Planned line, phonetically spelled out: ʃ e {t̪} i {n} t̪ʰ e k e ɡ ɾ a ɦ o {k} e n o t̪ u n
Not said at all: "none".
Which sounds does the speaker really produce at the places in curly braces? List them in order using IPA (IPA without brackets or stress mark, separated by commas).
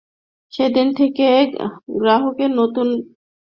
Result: d̪, n, k